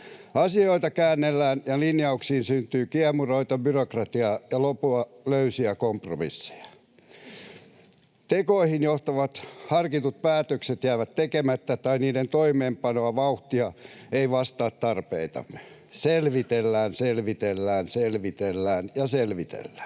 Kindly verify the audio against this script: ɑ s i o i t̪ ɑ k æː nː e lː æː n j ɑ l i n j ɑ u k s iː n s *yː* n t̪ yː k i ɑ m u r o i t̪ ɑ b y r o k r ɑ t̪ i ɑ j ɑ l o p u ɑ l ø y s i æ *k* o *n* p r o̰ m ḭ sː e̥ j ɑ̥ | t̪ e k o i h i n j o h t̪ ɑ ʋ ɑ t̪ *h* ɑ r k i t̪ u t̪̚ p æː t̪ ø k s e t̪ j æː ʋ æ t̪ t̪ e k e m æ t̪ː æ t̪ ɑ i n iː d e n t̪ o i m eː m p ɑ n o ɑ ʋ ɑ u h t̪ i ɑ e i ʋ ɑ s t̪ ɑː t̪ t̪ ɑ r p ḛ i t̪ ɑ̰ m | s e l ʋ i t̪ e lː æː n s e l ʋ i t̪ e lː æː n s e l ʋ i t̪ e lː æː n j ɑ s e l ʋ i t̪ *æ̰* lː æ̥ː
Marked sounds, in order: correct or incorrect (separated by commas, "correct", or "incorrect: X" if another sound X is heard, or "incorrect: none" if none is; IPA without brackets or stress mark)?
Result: incorrect: y, correct, incorrect: m, correct, incorrect: ḛ